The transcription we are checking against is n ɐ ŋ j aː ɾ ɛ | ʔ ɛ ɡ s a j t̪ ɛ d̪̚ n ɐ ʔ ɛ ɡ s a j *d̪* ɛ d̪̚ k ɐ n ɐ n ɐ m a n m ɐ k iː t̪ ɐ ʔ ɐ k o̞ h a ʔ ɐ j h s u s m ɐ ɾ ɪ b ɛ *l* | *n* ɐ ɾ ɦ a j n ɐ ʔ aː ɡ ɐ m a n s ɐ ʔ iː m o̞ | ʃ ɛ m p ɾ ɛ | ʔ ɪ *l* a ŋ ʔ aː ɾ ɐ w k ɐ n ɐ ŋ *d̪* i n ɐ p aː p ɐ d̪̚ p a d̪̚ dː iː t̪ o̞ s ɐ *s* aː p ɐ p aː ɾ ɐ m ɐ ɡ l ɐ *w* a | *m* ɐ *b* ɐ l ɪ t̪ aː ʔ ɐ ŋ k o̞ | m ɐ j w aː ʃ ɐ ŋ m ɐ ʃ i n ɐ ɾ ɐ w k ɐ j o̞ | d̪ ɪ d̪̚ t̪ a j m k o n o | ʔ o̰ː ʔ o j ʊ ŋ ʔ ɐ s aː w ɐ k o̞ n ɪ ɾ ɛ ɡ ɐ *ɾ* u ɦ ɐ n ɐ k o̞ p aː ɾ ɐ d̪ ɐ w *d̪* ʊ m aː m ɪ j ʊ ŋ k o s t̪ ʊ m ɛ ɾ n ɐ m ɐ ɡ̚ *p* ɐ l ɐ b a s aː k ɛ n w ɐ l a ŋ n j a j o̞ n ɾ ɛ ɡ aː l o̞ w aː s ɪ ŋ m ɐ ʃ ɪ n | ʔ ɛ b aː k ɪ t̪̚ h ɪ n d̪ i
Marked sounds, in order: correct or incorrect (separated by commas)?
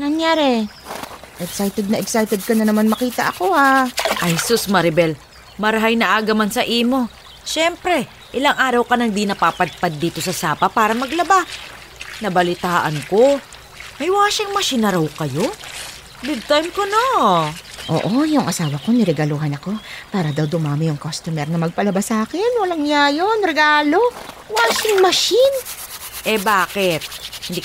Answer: incorrect, correct, incorrect, correct, correct, correct, incorrect, incorrect, correct, incorrect, correct, correct